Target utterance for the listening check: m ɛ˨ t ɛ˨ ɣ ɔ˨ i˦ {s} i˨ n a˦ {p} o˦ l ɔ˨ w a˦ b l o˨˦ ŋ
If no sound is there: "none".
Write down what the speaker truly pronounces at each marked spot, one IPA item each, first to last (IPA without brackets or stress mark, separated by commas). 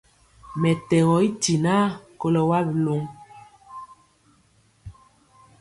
t, k